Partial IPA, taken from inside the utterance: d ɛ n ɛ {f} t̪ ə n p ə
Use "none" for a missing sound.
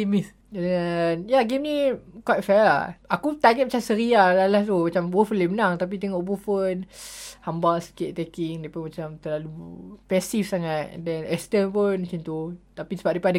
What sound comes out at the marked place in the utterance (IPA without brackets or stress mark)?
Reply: s